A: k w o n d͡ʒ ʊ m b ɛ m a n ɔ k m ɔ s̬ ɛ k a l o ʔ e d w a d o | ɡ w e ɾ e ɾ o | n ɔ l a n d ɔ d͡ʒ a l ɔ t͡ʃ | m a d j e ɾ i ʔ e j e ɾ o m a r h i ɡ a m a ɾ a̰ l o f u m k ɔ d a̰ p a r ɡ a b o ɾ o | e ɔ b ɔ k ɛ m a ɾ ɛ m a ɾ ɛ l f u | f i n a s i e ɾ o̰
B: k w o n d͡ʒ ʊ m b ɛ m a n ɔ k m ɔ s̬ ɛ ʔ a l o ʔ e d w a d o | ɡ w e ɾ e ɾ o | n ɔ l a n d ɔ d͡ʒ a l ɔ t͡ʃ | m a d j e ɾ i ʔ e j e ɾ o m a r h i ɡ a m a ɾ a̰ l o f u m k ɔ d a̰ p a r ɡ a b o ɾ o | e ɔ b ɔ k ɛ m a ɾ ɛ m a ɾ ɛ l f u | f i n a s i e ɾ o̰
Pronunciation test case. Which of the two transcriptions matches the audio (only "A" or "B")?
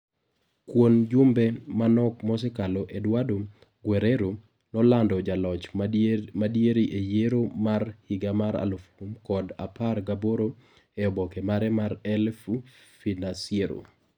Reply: A